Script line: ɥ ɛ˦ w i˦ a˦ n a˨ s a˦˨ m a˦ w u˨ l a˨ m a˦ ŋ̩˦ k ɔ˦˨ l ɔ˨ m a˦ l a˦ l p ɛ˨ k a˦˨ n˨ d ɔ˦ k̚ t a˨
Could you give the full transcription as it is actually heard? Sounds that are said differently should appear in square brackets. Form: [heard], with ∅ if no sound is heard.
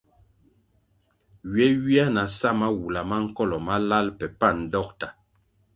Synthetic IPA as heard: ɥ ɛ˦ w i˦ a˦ n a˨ s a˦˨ m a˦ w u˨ l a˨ m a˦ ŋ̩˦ k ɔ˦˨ l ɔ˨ m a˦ l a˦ l p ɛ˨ [p] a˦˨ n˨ d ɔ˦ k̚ t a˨